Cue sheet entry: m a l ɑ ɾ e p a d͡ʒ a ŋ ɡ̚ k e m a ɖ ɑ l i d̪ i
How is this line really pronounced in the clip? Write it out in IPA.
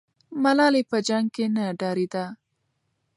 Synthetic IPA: m a l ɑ l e p ə d͡ʒ a ŋ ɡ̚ k e n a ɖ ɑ ɾ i d̪ a